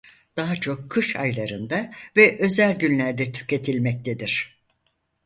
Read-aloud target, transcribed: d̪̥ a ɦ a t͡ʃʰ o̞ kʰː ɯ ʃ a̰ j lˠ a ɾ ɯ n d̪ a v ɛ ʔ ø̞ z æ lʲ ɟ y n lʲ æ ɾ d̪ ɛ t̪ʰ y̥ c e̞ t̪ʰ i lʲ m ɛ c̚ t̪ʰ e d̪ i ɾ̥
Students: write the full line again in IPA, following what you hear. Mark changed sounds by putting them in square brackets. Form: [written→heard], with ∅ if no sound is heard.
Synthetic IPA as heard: d̪̥ a ɦ a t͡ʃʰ o̞ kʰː ɯ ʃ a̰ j lˠ a ɾ ɯ n d̪ a v ɛ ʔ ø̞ z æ lʲ ɟ y n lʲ æ ɾ d̪ ɛ t̪ʰ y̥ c e̞ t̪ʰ i lʲ m ɛ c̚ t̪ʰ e d̪ i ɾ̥

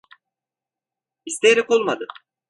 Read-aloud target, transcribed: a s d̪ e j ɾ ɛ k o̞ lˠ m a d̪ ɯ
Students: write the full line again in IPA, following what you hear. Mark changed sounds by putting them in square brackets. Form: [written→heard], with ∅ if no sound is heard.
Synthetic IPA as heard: [a→i] s [d̪→t̪] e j ɾ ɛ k o̞ lˠ m a d̪ ɯ

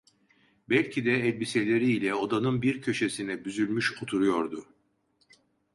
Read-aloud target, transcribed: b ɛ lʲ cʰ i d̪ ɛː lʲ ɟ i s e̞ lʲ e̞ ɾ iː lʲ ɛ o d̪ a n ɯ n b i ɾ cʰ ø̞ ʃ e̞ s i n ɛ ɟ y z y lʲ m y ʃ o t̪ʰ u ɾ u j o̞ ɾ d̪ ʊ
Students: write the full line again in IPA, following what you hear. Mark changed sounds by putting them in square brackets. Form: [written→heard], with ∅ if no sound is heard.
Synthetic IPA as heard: b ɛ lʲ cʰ i d̪ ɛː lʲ [ɟ→b] i s e̞ lʲ e̞ ɾ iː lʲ ɛ o d̪ a n ɯ n b i ɾ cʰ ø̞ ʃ e̞ s i n ɛ [ɟ→b] y z y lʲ m y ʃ o t̪ʰ u ɾ u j o̞ ɾ d̪ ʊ

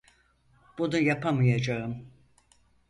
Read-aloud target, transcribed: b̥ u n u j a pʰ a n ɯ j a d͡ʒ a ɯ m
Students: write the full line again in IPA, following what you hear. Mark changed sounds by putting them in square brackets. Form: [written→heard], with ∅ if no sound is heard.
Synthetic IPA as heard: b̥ u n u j a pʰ a [n→m] ɯ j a d͡ʒ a ɯ m

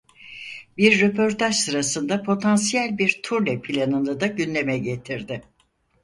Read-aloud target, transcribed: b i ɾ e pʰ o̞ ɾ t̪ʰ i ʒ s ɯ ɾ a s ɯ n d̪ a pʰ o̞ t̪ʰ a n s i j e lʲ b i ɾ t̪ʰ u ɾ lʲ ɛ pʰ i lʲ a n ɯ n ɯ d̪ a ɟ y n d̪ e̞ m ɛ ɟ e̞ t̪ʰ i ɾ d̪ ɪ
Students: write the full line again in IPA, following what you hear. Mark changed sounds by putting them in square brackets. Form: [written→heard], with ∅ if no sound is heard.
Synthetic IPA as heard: b i [ɾ→ɾː] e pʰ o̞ ɾ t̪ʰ [i→a] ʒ s ɯ ɾ a s ɯ n d̪ a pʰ o̞ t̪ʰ a n s i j [e→æ] lʲ b i ɾ t̪ʰ u ɾ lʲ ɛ pʰ i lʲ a n ɯ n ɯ d̪ a ɟ y n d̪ e̞ m ɛ ɟ e̞ t̪ʰ i ɾ d̪ ɪ

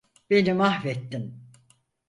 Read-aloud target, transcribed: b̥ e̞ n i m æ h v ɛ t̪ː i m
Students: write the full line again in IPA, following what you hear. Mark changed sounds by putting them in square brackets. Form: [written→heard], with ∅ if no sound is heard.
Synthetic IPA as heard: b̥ e̞ n i m [æ→a] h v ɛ t̪ː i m

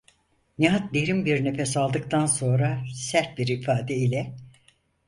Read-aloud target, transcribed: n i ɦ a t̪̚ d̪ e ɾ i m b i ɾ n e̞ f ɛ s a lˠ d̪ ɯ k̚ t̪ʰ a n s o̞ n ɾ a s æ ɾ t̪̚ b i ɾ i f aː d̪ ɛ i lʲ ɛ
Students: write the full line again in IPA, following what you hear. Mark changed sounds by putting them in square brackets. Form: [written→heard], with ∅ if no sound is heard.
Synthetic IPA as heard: n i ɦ a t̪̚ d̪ e ɾ i m b i ɾ n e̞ f ɛ s a lˠ d̪ ɯ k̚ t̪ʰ a n s o̞ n ɾ a s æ ɾ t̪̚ b i ɾ i f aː d̪ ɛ i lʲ ɛ

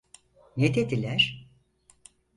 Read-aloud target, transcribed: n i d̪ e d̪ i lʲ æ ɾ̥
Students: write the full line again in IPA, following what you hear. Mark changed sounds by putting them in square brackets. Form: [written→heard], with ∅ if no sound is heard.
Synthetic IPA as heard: n [i→e] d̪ e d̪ i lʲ æ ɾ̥

